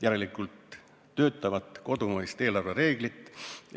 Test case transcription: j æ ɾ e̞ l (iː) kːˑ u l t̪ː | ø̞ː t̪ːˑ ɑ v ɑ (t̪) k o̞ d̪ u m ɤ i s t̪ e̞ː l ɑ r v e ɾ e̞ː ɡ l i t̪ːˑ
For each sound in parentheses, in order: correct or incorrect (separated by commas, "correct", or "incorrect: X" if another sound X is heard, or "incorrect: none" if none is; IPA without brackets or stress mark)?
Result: incorrect: i, correct